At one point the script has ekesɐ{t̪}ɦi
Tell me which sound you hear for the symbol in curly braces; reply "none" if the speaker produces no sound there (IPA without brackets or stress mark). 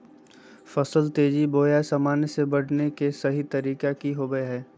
none